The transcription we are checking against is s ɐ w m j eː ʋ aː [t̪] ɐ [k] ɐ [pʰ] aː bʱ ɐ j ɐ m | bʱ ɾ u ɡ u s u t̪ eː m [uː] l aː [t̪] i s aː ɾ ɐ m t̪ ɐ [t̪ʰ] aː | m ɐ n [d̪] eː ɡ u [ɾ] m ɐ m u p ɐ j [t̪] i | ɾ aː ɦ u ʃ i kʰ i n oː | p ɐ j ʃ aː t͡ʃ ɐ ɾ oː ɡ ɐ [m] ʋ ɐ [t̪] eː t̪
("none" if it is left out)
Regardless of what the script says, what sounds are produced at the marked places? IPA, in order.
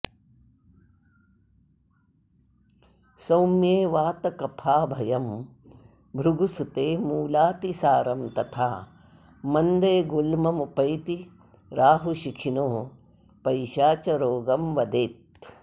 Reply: t̪, k, pʰ, uː, t̪, t̪ʰ, d̪, l, t̪, m, d̪

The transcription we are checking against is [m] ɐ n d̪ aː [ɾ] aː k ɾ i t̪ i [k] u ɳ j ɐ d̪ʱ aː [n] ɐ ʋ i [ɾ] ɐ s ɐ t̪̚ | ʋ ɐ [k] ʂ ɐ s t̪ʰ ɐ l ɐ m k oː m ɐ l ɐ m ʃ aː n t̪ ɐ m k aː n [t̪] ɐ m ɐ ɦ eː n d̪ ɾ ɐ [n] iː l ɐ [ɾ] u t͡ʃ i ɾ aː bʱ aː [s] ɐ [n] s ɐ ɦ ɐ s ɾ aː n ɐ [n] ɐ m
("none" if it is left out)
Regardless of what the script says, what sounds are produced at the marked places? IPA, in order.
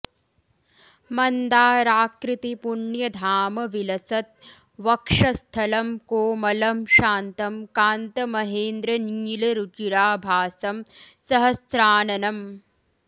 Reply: m, ɾ, p, m, l, k, t̪, n, ɾ, s, m, n

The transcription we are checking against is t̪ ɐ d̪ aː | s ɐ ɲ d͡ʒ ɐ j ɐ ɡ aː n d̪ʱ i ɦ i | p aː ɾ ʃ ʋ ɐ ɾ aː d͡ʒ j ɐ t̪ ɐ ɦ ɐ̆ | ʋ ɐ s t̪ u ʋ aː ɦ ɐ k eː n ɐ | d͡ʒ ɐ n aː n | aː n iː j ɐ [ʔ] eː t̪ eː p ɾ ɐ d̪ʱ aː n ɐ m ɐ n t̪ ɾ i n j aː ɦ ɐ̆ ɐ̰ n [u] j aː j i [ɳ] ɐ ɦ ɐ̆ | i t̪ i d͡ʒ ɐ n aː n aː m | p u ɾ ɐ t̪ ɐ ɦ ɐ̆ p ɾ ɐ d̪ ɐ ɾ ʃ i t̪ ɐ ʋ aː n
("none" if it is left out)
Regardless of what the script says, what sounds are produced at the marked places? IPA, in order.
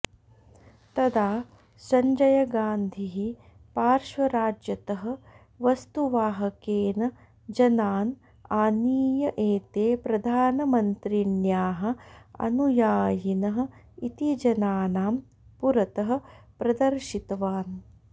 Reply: ʔ, u, n

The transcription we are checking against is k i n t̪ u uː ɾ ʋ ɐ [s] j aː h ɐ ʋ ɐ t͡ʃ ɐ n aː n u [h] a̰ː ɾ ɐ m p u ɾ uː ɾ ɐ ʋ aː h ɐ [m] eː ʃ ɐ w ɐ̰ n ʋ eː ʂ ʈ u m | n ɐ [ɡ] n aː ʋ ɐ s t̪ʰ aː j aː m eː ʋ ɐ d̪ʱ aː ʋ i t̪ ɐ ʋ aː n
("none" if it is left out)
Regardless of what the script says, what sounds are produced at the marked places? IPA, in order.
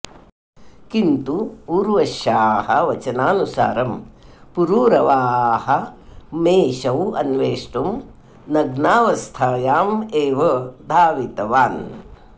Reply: ʃ, s, m, ɡ

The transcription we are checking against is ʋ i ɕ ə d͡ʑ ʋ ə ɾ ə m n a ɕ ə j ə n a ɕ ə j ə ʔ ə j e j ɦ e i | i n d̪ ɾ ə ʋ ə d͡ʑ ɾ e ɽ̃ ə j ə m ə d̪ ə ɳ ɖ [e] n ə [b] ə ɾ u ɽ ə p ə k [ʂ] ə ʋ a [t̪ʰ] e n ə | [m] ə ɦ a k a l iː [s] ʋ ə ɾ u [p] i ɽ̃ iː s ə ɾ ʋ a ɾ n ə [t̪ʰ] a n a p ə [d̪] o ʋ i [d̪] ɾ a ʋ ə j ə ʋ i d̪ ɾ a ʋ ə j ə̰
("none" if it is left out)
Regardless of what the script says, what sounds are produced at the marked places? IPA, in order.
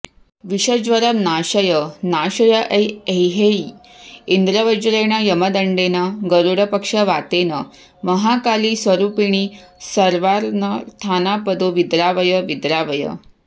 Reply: e, ɡ, ʂ, t̪, m, s, p, t̪ʰ, d̪, d̪

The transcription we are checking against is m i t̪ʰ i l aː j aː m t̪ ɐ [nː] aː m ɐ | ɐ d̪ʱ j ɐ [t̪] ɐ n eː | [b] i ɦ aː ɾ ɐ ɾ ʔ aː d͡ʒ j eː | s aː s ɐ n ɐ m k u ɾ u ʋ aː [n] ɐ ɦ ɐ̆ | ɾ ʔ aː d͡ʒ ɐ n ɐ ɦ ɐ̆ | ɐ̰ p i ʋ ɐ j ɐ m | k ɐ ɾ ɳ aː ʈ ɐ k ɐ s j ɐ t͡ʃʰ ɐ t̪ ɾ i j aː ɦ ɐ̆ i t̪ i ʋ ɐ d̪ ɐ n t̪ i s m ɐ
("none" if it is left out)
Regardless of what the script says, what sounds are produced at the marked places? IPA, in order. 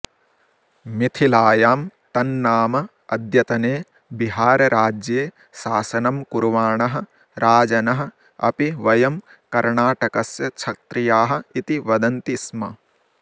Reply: nː, t̪, b, ɳ

